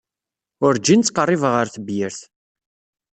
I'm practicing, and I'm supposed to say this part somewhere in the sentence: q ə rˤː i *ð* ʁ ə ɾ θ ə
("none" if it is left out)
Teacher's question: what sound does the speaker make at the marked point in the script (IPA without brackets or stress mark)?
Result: v